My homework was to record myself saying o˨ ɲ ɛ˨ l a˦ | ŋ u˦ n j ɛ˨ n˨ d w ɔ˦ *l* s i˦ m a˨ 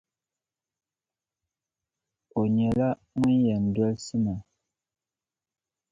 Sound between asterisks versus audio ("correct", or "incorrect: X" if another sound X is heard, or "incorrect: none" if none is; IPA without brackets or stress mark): correct